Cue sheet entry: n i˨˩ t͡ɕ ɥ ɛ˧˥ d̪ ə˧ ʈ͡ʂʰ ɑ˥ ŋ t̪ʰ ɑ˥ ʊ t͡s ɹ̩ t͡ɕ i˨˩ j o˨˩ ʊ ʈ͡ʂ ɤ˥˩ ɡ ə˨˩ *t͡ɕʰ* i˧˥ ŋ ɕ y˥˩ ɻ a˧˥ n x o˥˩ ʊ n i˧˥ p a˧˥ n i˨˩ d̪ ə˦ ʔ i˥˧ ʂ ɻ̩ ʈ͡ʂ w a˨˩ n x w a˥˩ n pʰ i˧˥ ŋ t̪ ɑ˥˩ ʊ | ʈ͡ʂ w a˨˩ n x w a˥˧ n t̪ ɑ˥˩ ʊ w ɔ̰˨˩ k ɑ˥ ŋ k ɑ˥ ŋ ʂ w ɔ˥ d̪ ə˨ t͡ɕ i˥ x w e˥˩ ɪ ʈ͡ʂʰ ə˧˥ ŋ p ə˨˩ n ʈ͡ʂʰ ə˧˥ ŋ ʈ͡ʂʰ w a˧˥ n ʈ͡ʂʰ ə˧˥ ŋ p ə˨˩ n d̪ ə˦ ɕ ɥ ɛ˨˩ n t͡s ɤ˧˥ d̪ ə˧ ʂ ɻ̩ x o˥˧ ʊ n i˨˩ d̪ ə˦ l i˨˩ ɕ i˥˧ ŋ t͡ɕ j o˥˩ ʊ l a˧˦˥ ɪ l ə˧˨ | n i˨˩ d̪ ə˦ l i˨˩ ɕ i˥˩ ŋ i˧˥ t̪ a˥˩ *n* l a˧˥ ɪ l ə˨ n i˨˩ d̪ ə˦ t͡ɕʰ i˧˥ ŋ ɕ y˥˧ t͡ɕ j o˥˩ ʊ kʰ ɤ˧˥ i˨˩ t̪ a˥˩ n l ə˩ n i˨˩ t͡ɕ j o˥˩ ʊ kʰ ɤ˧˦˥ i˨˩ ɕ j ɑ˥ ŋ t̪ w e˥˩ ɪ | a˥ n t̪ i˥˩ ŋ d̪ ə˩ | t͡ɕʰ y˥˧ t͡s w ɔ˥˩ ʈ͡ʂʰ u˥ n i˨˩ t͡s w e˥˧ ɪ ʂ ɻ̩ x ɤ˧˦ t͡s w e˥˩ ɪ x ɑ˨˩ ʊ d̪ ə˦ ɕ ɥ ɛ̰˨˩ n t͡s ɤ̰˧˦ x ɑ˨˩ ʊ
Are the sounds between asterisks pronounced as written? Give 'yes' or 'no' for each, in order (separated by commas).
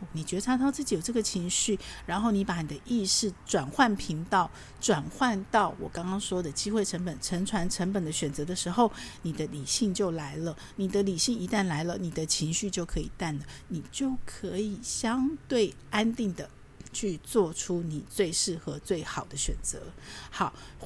yes, yes